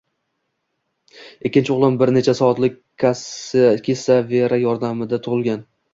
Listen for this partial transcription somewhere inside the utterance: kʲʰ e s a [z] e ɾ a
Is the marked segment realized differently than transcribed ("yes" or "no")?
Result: yes